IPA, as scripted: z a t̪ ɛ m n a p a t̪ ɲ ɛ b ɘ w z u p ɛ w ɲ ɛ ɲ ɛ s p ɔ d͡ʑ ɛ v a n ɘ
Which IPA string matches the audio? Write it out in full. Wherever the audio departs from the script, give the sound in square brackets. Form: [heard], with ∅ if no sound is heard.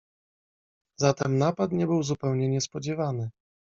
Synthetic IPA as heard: z a t̪ ɛ m n a p a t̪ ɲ ɛ b ɘ w z u p ɛ w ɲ ɛ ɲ ɛ s p ɔ d͡ʑ ɛ v a n ɘ